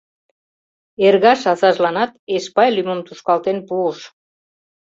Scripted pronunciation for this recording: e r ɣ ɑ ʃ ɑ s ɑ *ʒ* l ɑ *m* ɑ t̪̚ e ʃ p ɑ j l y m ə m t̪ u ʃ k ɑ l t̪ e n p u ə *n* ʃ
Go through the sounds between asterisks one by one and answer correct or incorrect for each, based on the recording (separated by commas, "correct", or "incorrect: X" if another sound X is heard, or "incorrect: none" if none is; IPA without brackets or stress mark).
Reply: correct, incorrect: n, incorrect: none